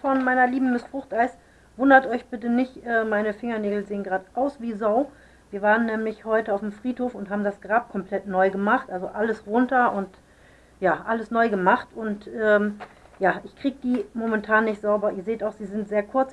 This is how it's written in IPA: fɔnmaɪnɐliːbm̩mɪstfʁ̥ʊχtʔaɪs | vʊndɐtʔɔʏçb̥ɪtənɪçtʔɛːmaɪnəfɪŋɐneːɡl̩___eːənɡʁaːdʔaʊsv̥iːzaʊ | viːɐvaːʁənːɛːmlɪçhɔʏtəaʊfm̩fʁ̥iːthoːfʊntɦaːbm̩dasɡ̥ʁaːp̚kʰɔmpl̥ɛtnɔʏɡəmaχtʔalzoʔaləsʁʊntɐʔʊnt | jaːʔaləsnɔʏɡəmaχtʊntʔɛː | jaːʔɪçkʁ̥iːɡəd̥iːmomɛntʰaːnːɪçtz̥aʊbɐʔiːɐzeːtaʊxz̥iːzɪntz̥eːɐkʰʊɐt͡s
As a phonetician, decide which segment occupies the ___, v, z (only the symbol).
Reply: z